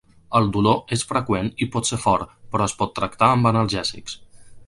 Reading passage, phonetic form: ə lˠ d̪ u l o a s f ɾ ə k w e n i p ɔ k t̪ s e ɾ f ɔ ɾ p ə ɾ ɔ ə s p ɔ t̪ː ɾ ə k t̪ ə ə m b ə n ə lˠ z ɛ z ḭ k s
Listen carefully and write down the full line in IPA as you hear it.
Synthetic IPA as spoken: ə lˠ d̪ u l o e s f ɾ ə k w e n i p ɔ t̪ s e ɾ f ɔ ɾ p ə ɾ ɔ ə s p ɔ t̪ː ɾ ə k t̪ a ə m b ə n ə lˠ ʒ ɛ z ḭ k s